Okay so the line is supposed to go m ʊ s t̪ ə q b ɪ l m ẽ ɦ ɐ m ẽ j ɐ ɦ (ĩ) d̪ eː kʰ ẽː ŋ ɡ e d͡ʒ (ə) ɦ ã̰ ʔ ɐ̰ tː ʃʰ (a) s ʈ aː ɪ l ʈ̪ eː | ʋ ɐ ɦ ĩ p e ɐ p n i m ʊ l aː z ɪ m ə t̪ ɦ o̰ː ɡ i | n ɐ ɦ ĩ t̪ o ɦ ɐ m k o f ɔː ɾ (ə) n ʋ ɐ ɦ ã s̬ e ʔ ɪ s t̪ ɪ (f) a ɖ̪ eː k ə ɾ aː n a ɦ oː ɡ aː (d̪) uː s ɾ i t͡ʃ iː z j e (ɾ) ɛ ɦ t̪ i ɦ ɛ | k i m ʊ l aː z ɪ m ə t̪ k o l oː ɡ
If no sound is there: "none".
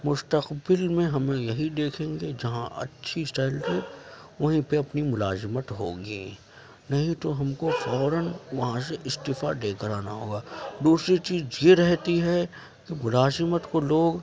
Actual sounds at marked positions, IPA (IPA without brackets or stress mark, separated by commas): i, ɐ, i, ə, f, d̪, ɾ